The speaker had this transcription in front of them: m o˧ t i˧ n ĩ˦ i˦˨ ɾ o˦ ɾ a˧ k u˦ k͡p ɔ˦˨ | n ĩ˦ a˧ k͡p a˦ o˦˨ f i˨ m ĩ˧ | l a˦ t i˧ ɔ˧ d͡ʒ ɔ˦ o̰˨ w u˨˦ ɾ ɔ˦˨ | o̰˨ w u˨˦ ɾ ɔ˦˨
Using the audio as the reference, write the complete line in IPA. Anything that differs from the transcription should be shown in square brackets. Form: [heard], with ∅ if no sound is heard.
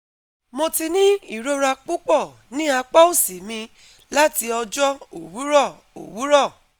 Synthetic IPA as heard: m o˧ t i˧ n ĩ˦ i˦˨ ɾ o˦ ɾ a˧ [k͡p] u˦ k͡p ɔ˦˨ | n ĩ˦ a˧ k͡p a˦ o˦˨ [s] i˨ m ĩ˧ | l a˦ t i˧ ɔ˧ d͡ʒ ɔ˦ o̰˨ w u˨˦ ɾ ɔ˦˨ | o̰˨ w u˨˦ ɾ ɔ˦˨